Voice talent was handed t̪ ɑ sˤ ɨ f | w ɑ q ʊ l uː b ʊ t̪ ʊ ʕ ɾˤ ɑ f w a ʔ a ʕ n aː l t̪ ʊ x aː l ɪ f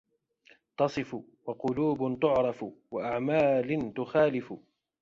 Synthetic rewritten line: t̪ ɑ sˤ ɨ f | w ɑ q ʊ l uː b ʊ t̪ ʊ ʕ ɾˤ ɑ f w a ʔ a ʕ m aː l t̪ ʊ x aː l ɪ f